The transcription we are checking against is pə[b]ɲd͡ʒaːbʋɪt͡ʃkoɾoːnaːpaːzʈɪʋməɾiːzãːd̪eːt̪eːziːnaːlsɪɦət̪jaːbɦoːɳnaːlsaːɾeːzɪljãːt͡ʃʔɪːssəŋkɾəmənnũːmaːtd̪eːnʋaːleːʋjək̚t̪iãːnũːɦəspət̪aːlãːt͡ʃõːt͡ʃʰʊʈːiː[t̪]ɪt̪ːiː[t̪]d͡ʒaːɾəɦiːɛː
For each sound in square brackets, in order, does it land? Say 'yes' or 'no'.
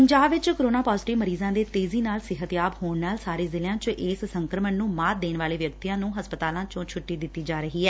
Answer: no, no, no

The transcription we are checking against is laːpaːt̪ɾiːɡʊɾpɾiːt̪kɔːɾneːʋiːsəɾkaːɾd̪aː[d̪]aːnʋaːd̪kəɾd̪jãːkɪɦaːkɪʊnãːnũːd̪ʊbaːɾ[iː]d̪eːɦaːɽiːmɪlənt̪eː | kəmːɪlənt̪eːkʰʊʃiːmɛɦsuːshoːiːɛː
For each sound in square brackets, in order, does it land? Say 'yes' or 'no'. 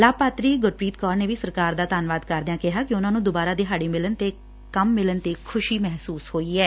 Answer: no, no

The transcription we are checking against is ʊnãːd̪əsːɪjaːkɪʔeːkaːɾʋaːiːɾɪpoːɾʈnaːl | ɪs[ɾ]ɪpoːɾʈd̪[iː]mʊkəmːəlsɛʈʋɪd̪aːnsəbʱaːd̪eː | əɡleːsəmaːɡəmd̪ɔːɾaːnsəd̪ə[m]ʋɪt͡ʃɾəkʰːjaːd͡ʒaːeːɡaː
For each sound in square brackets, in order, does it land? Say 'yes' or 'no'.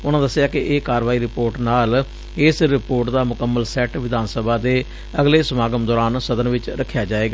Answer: yes, no, no

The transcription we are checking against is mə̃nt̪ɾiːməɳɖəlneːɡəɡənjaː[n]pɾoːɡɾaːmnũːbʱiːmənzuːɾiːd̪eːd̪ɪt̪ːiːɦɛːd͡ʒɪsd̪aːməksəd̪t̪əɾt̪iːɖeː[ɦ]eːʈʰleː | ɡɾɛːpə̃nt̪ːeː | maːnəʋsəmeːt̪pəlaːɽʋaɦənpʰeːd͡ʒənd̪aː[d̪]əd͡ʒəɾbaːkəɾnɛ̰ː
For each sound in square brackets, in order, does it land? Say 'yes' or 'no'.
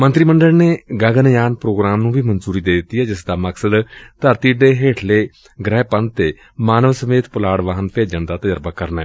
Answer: yes, yes, no

